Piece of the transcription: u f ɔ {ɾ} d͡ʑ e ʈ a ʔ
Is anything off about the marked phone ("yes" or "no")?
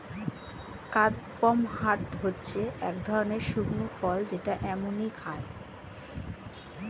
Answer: yes